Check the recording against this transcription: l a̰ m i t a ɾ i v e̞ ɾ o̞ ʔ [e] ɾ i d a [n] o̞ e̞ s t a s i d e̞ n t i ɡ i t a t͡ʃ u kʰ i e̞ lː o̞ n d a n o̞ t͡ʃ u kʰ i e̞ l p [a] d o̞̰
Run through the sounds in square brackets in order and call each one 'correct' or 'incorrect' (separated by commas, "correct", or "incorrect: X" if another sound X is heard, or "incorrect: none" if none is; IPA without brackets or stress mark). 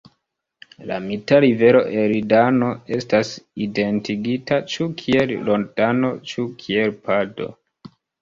correct, correct, correct